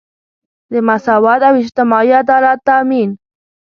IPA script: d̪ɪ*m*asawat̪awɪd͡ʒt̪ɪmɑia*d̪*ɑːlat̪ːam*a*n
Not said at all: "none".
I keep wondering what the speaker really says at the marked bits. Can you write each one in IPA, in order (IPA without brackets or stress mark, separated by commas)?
m, d̪, i